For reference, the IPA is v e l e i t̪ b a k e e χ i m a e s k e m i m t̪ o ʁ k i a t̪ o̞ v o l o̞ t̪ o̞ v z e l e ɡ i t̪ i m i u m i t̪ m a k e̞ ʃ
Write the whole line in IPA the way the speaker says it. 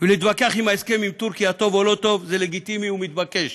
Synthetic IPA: v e l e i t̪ b a k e a χ i m a e s k e m i m t̪ u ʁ k i a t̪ o̞ v o l o̞ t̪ o̞ v z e l e ɡ i t̪ i m i u m i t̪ b a k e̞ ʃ